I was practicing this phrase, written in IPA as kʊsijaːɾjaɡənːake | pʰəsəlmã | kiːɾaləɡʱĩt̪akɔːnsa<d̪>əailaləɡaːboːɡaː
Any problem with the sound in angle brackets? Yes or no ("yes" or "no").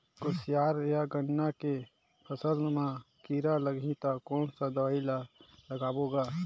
no